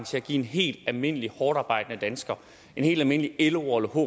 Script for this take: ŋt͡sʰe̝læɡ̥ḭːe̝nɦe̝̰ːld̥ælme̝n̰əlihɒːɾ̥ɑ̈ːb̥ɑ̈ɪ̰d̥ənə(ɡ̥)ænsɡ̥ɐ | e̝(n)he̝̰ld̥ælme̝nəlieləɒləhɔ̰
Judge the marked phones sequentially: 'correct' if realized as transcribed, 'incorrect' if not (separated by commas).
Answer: incorrect, correct